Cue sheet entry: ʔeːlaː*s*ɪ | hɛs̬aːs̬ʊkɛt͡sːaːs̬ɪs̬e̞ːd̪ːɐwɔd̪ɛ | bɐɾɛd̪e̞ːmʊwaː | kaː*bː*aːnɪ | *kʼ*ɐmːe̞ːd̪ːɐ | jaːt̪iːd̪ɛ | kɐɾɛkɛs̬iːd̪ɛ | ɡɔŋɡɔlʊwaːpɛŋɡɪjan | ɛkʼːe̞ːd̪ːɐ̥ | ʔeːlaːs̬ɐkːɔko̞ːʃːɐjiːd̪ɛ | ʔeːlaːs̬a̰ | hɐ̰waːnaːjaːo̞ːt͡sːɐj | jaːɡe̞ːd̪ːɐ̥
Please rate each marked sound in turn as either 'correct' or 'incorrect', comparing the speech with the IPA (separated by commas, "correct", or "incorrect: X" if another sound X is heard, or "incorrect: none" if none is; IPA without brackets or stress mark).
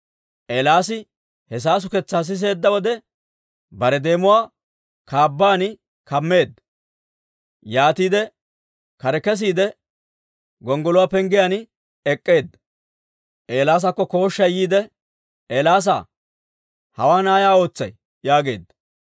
correct, correct, incorrect: k